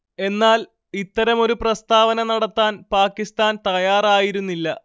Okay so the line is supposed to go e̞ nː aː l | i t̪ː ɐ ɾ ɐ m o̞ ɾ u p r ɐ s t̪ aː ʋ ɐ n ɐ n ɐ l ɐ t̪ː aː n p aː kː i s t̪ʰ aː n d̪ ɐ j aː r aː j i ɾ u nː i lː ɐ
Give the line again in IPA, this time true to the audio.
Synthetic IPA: e̞ nː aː l | i t̪ː ɐ ɾ ɐ m o̞ ɾ u p r ɐ s t̪ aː ʋ ɐ n ɐ n ɐ ɽ ɐ t̪ː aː n p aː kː i s t̪ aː n t̪ ɐ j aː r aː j i ɾ u nː i lː ɐ